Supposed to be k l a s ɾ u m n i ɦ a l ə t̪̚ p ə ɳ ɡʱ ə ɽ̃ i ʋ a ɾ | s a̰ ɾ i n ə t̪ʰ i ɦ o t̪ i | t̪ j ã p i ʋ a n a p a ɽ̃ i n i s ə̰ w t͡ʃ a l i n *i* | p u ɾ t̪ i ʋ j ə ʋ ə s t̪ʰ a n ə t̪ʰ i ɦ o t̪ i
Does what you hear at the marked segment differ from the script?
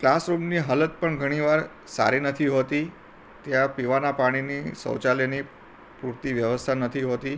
no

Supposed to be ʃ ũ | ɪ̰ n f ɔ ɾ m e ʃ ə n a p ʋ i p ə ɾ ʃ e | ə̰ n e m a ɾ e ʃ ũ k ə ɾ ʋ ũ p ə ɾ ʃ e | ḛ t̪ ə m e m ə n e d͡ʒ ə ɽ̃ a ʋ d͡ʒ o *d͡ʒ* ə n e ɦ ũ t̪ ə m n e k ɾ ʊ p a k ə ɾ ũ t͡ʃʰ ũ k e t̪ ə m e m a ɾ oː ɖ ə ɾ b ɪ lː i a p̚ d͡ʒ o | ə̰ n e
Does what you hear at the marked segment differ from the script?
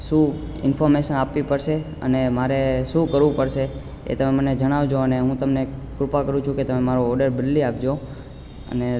yes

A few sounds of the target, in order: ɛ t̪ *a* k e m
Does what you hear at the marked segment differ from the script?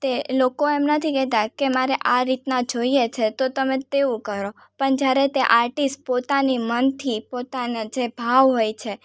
no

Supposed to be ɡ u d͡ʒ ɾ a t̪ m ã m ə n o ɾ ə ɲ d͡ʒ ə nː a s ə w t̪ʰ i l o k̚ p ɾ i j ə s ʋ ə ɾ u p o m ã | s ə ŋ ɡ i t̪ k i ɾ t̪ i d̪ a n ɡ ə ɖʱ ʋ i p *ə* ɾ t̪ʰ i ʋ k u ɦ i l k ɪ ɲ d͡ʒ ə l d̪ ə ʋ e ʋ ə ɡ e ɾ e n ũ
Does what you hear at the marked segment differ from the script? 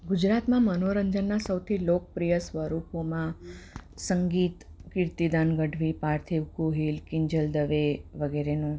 yes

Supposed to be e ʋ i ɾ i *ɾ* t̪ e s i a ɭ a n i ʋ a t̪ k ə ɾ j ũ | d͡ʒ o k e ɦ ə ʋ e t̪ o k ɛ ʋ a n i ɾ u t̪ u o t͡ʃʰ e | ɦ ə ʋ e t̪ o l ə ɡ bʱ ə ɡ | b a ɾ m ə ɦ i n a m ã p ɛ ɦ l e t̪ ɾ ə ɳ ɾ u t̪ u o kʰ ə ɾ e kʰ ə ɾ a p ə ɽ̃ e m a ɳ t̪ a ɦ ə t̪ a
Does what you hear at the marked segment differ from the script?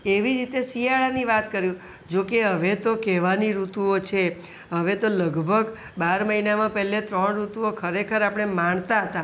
yes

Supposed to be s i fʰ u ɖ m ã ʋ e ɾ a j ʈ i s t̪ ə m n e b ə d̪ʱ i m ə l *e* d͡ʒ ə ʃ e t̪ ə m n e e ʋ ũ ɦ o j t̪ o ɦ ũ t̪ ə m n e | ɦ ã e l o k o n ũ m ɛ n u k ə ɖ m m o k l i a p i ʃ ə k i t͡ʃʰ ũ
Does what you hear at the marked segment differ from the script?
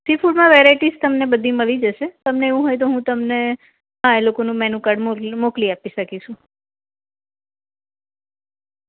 yes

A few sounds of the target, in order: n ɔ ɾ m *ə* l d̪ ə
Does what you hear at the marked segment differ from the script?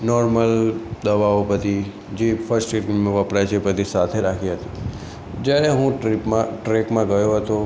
no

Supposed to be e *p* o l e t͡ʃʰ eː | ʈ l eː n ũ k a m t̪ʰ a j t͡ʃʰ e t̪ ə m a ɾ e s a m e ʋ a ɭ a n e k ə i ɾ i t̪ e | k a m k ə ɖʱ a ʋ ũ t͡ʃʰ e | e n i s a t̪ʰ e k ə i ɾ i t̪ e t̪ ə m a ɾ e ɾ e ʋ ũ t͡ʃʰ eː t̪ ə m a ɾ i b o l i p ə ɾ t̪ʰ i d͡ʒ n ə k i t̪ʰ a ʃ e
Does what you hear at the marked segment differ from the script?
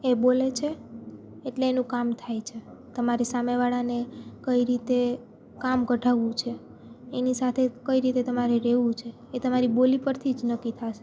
yes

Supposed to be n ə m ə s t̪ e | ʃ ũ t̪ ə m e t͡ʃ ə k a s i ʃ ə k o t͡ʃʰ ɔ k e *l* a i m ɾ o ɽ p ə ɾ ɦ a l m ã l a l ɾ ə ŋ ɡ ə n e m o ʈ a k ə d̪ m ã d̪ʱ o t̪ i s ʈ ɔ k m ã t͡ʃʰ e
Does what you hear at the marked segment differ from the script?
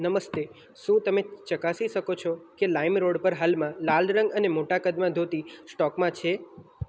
no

